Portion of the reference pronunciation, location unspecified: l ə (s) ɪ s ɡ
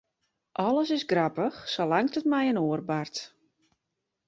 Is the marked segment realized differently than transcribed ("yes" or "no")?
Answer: no